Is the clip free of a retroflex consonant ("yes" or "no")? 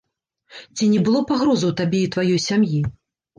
yes